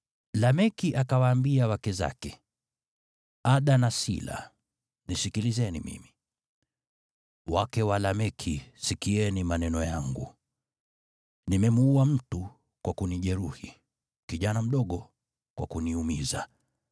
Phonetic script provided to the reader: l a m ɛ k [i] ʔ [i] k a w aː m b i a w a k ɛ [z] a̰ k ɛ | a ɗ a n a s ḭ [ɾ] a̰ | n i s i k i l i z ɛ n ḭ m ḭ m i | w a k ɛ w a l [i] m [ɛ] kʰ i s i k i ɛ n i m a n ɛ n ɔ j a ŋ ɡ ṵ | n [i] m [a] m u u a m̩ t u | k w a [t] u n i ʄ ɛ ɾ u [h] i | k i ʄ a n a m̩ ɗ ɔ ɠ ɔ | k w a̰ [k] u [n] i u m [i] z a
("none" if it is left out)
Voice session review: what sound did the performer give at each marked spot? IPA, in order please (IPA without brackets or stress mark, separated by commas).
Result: i, a, z, l, a, ɛ, i, ɛ, k, h, k, n, i